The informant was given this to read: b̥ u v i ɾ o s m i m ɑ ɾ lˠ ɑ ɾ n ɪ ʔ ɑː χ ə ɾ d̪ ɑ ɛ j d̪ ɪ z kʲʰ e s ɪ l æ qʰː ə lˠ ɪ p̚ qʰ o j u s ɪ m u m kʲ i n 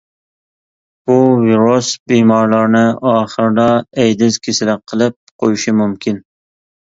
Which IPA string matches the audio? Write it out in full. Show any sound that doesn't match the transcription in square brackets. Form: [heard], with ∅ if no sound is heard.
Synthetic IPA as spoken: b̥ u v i ɾ o s [b] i m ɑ ɾ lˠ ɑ ɾ n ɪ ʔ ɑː χ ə ɾ d̪ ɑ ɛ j d̪ ɪ z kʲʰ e s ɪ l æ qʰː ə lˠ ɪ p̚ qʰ o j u [ʃ] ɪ m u m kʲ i n